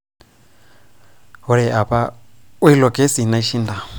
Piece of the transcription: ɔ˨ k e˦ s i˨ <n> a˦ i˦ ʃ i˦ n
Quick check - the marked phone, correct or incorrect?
correct